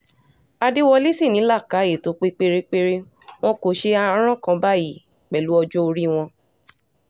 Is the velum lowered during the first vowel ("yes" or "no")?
no